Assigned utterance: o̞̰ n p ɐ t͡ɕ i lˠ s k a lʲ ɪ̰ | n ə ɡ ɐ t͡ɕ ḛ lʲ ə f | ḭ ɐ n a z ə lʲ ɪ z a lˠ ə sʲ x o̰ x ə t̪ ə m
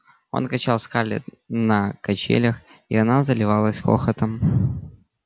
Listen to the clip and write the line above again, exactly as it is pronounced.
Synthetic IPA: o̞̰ n k ɐ t͡ɕ a lˠ s k a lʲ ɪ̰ | n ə k ɐ t͡ɕ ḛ lʲ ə x | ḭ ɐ n a z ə lʲ ɪ v a lˠ ə sʲ x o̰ x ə t̪ ə m